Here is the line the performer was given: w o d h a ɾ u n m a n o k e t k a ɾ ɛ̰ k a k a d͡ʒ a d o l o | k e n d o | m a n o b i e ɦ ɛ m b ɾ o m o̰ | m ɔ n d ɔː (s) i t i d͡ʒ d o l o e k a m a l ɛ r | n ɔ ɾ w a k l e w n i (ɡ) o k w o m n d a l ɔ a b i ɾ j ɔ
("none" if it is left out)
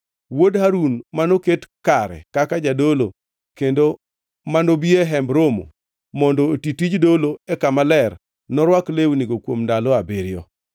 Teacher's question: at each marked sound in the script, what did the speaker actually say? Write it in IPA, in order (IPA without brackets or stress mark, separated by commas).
t, ɡ